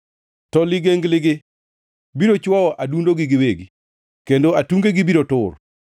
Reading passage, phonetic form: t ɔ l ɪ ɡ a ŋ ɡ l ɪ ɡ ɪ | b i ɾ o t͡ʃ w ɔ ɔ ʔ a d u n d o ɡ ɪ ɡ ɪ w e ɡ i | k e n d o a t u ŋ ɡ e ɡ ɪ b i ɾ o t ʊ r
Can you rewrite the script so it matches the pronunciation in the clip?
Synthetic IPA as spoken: t ɔ l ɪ ɡ e ŋ ɡ l ɪ ɡ ɪ | b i ɾ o t͡ʃ w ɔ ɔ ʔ a d u n d o ɡ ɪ ɡ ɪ w e ɡ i | k e n d o a t u ŋ ɡ e ɡ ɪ b i ɾ o t ʊ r